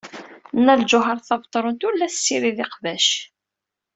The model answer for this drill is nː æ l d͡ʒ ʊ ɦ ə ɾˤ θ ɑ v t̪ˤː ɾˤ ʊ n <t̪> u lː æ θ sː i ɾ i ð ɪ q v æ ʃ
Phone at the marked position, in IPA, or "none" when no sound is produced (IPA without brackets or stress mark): t̪